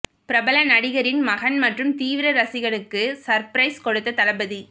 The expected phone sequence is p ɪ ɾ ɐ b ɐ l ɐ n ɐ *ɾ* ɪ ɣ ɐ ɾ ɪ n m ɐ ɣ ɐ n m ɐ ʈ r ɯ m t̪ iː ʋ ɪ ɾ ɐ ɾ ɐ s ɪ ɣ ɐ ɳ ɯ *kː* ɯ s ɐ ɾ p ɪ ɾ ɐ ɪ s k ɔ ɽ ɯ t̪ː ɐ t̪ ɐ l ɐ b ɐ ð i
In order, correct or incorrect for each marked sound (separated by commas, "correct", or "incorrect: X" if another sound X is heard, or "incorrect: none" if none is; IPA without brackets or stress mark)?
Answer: incorrect: ɽ, correct